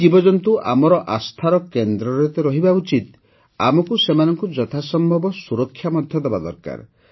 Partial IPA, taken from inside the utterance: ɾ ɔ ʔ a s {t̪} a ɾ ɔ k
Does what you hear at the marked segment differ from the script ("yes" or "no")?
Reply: yes